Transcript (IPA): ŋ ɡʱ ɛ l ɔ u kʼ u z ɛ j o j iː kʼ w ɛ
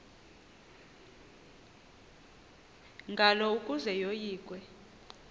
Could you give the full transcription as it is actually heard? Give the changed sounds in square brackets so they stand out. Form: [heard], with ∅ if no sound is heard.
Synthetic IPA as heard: ŋ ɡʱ [a] l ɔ u kʼ u z ɛ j o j iː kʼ w ɛ